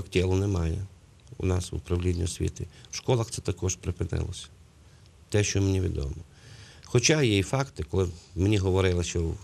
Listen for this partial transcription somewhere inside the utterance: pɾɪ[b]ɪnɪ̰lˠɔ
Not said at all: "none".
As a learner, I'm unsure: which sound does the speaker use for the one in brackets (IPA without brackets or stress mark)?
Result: p